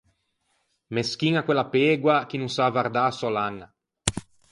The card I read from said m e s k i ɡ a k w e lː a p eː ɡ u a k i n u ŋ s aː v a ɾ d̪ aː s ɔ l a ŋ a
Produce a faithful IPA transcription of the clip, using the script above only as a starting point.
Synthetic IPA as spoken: m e s k i ŋ a k w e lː a p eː ɡ w a k i n u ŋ s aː v a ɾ d̪ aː s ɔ l a ŋ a